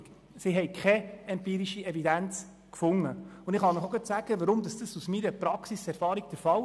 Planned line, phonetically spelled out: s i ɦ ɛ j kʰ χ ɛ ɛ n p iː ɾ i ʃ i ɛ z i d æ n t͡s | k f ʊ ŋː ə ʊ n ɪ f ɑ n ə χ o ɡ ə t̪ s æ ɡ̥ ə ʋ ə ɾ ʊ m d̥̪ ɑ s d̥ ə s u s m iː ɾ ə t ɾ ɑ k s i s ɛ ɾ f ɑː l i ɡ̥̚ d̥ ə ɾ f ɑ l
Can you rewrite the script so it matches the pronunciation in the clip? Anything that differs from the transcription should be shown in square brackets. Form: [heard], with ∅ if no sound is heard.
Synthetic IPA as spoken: s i ɦ ɛ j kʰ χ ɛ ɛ [m] p iː ɾ i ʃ i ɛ [v] i d æ n t͡s | k f ʊ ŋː ə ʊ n ɪ [χ] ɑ n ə χ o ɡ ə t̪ s æ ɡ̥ ə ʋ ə ɾ ʊ m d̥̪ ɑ s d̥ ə s u s m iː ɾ ə [p] ɾ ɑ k s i s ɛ ɾ f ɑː [ɾ] i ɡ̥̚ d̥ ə ɾ f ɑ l